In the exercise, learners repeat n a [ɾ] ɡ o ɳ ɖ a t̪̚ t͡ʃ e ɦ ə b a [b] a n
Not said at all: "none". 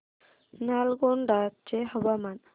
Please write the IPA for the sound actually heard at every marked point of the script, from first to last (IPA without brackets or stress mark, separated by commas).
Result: l, m